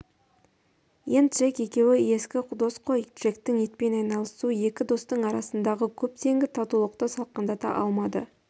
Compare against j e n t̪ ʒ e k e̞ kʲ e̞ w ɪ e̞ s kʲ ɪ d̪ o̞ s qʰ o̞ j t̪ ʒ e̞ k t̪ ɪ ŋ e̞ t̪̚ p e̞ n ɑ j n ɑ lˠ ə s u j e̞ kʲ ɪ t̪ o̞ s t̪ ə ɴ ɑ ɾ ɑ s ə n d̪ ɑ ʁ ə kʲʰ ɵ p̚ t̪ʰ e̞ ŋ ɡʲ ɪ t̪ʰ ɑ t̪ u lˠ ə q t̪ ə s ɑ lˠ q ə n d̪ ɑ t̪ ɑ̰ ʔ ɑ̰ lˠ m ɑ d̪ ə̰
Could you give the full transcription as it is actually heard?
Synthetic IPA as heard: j e n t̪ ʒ e k e̞ kʲ e̞ w ɪ e̞ s kʲ ɪ d̪ o̞ s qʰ o̞ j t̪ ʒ e̞ k t̪ ɪ ŋ e̞ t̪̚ p e̞ n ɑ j n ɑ lˠ ə s u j e̞ kʲ ɪ d̪ o̞ s t̪ ə ɴ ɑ ɾ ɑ s ə n d̪ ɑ ʁ ə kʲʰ ɵ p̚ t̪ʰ e̞ ŋ ɡʲ ɪ t̪ʰ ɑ t̪ u lˠ ə q t̪ ə s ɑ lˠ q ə n d̪ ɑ t̪ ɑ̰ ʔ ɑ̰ lˠ m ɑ d̪ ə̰